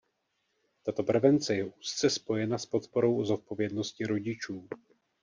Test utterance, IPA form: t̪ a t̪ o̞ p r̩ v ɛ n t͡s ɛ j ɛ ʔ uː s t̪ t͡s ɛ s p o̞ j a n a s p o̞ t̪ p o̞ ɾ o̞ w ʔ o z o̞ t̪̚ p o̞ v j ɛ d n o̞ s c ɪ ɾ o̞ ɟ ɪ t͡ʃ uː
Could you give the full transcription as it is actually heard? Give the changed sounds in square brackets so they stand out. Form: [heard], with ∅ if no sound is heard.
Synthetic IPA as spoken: t̪ a t̪ o̞ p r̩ v ɛ n t͡s ɛ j ɛ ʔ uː s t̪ t͡s ɛ s p o̞ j [ɛ] n a s p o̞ t̪ p o̞ ɾ o̞ w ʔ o z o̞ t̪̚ p o̞ v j ɛ d n o̞ s c ɪ ɾ o̞ ɟ ɪ t͡ʃ uː